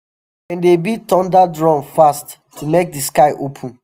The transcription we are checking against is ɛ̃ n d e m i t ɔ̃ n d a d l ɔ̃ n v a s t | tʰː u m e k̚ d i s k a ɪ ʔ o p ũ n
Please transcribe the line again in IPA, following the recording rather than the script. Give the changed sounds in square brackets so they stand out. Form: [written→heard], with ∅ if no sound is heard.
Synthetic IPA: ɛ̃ n d e [m→b] i t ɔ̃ n d a d [l→ɹ] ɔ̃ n [v→f] a s t | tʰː u m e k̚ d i s k a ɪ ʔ o [p→pʰ] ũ n